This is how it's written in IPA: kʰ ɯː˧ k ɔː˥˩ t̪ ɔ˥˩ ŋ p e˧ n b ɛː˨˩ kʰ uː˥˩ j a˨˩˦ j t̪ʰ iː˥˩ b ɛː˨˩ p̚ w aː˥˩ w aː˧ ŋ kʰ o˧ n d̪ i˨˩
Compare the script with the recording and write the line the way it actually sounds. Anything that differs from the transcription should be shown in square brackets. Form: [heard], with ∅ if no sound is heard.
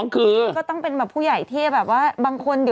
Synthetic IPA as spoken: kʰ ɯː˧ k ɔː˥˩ t̪ ɔ˥˩ ŋ p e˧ n b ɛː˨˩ [pʰ] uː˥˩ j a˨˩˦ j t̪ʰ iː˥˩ b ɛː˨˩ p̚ w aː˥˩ [b] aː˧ ŋ kʰ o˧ n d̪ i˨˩